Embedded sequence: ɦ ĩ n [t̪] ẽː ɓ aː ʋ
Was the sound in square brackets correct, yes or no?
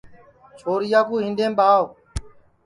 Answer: no